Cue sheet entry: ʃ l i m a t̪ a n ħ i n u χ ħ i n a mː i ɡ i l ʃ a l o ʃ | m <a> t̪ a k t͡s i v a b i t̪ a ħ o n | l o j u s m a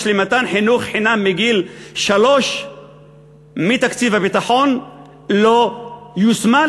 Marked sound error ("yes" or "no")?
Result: yes